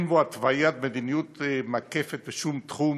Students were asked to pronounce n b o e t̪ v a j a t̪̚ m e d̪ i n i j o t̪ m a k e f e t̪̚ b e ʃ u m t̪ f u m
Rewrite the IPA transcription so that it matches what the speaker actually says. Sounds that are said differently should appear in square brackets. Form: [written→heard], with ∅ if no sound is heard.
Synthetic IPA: n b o [e→a] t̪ v a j a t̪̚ m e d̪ i n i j [o→u] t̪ m a k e f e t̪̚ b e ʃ u m t̪ [f→χ] u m